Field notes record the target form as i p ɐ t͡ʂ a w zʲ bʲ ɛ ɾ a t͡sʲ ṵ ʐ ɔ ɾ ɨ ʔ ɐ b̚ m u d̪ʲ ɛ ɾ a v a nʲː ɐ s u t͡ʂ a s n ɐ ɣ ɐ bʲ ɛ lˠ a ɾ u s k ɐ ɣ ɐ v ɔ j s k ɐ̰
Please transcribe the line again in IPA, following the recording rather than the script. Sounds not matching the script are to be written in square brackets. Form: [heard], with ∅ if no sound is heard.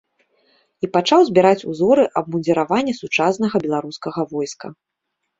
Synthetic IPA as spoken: i p [a] t͡ʂ a w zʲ bʲ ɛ ɾ a t͡sʲ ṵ [z] ɔ ɾ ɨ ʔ ɐ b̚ m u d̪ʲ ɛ ɾ a v a nʲː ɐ s u t͡ʂ a s n ɐ ɣ ɐ bʲ ɛ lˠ a ɾ u s k ɐ ɣ ɐ v ɔ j s k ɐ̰